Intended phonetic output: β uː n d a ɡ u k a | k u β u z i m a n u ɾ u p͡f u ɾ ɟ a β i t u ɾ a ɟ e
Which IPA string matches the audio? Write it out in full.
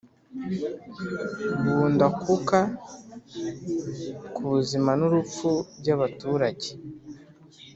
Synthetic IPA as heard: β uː n d a k u k a | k u β u z i m a n u ɾ u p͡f u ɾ ɟ a β a t u ɾ a ɟ e